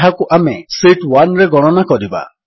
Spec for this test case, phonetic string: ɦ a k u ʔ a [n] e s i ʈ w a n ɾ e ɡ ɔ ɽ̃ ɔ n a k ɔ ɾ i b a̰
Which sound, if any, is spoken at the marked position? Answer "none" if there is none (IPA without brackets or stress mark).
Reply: m